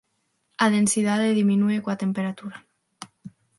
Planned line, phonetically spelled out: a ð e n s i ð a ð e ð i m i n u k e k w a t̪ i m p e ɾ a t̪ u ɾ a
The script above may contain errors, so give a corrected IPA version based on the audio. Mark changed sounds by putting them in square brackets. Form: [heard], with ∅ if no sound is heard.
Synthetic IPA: a ð e n s i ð a ð e ð i m i n u [∅] e k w a t̪ [e] m p e ɾ a t̪ u ɾ a